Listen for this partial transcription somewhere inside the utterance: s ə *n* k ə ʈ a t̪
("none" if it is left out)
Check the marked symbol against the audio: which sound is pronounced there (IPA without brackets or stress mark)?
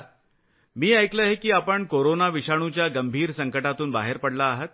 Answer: ŋ